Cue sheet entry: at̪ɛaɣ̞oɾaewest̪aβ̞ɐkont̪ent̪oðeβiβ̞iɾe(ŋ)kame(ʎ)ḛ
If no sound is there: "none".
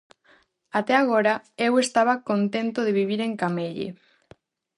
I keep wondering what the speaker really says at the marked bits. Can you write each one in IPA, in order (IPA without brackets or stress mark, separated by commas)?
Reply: ŋ, ʎ